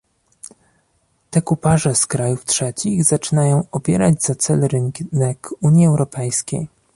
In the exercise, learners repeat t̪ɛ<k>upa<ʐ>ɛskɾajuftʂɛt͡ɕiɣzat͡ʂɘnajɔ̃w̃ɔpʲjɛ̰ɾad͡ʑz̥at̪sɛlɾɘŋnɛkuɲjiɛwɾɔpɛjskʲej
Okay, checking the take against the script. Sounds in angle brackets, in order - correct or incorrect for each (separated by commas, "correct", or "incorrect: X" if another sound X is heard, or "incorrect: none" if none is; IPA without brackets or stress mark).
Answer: correct, correct